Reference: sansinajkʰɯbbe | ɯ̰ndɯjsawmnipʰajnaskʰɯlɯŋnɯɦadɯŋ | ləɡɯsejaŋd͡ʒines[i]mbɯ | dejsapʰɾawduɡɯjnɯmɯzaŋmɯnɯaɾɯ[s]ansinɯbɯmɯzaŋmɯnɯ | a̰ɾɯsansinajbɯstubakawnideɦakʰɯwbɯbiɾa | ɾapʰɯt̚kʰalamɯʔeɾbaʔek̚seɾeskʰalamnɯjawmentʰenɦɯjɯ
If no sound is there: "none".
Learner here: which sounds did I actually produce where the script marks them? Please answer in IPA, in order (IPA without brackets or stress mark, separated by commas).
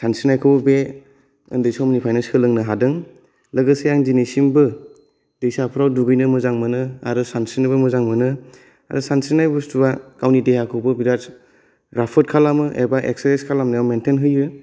i, s